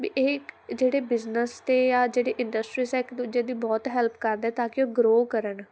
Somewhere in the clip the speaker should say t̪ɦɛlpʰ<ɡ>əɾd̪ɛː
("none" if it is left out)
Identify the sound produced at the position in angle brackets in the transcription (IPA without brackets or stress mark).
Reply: k